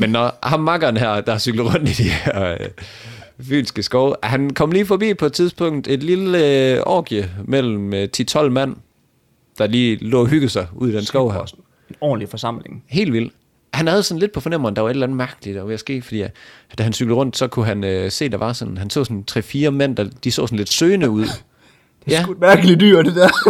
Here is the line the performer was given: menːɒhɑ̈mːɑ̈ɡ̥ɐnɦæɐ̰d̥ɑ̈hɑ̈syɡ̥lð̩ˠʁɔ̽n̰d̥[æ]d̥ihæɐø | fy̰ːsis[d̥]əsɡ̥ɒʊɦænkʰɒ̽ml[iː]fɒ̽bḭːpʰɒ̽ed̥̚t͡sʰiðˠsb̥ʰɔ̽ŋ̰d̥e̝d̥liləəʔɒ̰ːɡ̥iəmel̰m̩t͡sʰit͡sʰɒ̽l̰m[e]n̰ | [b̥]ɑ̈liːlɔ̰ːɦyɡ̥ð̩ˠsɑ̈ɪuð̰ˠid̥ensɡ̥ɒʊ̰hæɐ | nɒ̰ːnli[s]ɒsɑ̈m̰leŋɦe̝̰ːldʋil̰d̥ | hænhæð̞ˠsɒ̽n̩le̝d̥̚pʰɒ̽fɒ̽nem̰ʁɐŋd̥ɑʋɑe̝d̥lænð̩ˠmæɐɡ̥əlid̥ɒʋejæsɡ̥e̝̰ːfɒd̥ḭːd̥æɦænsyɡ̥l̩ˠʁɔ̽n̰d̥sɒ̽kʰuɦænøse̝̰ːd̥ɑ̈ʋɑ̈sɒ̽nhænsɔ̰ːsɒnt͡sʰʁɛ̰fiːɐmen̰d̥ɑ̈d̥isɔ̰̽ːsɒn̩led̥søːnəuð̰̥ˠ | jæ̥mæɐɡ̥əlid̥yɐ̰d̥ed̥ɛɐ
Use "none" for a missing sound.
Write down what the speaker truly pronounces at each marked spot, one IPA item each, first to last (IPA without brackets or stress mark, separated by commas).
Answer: i, ɡ̥, iː, æ, d̥, f